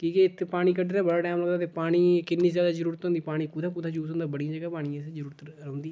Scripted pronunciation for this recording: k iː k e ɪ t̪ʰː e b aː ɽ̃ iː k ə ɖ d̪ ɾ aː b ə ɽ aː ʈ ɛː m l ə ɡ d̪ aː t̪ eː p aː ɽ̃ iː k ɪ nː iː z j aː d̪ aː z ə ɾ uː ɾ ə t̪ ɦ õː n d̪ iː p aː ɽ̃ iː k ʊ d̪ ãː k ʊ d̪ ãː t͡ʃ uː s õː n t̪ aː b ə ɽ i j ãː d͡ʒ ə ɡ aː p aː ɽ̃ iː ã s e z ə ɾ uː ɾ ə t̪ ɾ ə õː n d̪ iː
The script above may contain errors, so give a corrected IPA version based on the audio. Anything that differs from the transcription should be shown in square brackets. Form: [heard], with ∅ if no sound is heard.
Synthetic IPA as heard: k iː k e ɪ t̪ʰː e [p] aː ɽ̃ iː k ə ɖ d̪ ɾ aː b ə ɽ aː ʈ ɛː m l ə ɡ d̪ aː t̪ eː p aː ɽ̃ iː k ɪ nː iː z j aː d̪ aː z ə ɾ uː ɾ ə t̪ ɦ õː n d̪ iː p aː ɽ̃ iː k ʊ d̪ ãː k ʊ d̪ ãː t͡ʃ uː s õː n [d̪] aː b ə ɽ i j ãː d͡ʒ ə ɡ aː p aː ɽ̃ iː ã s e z ə ɾ uː ɾ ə t̪ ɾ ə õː n d̪ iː